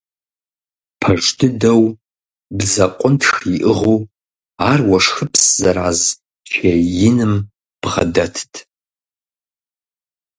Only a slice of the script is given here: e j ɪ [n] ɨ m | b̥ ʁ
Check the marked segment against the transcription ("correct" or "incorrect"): correct